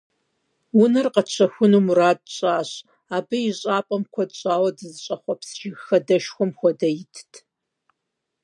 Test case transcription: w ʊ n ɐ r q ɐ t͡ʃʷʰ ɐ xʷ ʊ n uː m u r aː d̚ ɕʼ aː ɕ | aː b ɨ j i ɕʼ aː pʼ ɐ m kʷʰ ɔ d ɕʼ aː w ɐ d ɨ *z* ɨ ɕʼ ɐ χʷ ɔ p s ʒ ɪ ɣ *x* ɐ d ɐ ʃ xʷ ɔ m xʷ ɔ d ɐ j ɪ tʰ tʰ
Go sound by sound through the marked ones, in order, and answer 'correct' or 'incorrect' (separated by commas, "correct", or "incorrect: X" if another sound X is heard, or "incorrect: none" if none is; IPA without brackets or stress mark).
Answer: correct, correct